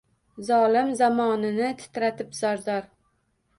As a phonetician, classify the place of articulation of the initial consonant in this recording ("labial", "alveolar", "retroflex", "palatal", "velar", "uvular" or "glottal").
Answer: alveolar